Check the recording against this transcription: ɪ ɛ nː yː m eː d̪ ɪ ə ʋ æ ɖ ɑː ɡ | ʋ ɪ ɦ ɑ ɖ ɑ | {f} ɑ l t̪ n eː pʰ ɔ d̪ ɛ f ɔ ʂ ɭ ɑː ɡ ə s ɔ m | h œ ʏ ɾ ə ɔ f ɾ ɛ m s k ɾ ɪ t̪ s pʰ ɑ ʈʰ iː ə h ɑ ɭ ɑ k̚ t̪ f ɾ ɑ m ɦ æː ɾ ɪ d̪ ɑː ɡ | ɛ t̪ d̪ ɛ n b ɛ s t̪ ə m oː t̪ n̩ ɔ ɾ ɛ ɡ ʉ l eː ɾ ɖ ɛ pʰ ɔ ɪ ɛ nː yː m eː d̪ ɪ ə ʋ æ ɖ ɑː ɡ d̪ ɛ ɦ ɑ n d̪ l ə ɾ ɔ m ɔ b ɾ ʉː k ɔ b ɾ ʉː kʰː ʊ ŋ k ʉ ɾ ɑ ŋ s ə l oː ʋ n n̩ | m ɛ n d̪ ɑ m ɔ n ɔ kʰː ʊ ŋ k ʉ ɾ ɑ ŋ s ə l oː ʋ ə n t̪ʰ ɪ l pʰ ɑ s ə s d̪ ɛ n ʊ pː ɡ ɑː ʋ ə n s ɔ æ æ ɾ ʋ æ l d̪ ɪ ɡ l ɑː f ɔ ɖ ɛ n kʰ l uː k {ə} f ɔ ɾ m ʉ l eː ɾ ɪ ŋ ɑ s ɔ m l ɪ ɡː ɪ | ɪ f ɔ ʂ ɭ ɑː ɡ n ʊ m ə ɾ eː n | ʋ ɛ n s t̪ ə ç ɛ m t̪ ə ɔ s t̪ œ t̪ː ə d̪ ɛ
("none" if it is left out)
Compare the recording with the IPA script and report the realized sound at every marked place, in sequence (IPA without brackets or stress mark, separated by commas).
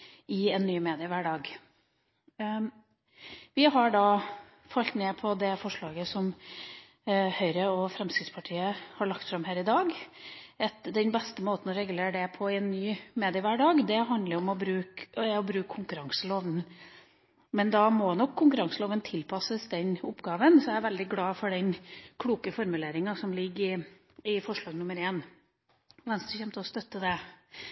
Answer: f, ə